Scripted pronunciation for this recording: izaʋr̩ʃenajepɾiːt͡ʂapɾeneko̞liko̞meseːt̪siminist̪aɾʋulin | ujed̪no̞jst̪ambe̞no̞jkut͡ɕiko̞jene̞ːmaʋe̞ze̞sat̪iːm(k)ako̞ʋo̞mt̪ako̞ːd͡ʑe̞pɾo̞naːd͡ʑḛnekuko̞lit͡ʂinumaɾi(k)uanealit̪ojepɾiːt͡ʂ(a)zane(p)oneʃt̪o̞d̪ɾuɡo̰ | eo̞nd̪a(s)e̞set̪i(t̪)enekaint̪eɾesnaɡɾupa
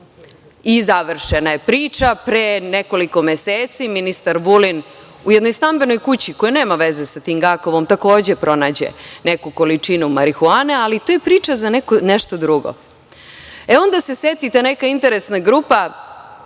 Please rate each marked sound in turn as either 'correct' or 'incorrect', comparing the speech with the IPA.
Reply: incorrect: ɡ, incorrect: x, correct, incorrect: k, correct, correct

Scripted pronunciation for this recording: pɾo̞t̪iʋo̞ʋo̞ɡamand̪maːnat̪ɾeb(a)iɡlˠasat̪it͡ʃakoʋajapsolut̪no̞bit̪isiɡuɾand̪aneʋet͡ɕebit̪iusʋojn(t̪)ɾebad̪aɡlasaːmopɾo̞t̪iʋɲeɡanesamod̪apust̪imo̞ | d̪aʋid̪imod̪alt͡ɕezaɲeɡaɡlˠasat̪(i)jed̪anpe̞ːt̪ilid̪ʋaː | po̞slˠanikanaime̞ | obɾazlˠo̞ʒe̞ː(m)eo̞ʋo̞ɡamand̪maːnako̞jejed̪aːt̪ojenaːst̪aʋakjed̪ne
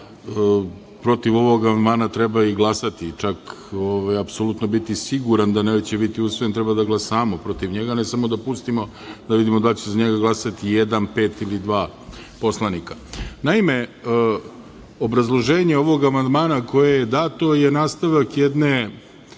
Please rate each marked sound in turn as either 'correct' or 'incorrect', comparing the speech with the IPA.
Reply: correct, correct, correct, incorrect: ɲ

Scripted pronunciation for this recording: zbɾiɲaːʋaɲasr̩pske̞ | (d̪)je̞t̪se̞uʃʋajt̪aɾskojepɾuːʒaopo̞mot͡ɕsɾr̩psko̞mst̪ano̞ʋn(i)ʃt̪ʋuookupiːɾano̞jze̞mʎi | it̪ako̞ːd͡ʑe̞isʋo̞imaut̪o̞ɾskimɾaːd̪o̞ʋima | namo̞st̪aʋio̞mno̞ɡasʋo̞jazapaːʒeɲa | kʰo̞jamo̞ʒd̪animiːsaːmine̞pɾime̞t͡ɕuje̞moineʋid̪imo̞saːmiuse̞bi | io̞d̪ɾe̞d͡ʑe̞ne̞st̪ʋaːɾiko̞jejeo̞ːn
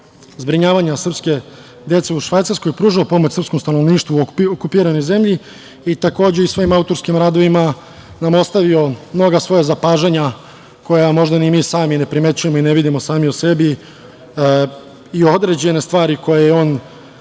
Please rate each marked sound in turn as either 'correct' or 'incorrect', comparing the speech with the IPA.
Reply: correct, incorrect: iː

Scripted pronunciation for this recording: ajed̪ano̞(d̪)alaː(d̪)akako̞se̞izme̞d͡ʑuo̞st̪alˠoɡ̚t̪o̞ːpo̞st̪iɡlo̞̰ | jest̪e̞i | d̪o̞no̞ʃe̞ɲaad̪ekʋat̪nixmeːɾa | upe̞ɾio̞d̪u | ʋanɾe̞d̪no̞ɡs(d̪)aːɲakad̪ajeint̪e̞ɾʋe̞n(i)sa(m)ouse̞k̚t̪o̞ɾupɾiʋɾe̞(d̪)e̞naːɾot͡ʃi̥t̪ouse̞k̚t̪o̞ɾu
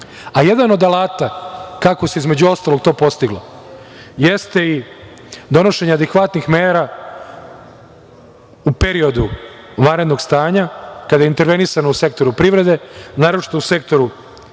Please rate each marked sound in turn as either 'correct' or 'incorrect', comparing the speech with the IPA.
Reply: correct, incorrect: t̪, incorrect: t̪, correct, incorrect: n, correct

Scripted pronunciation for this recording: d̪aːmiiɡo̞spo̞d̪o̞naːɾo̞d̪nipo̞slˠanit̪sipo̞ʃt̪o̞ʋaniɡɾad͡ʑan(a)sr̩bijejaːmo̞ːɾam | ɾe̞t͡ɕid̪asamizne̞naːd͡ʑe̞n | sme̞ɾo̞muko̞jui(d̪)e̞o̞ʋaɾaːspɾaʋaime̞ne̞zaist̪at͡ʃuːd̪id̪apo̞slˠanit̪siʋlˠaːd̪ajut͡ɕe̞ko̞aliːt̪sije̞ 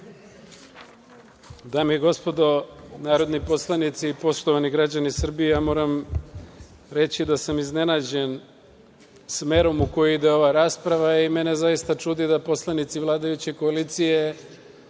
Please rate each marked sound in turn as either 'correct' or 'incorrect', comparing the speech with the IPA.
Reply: incorrect: i, correct

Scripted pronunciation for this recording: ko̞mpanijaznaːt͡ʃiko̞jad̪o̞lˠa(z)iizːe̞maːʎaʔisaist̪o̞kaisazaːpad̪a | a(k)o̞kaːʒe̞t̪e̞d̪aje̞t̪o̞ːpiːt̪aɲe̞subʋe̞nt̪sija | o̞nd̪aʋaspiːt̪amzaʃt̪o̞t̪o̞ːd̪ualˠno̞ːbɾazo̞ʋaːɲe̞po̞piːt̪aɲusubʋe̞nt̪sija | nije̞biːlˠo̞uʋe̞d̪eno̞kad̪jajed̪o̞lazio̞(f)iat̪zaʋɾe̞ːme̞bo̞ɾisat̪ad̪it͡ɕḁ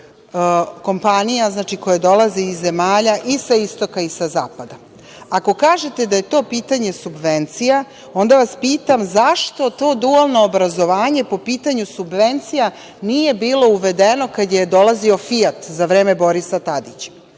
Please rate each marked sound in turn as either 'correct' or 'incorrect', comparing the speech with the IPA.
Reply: correct, correct, correct

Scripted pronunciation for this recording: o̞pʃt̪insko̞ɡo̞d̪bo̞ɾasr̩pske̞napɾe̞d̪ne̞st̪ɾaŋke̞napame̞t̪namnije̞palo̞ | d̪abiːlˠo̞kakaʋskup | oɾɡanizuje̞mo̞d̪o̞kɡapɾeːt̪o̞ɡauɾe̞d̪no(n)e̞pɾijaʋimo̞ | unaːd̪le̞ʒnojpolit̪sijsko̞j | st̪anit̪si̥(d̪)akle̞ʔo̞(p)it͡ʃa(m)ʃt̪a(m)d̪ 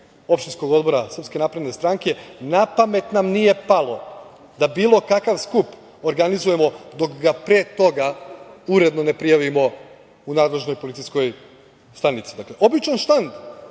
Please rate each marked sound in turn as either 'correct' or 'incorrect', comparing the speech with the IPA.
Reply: correct, correct, incorrect: b, incorrect: n, incorrect: n

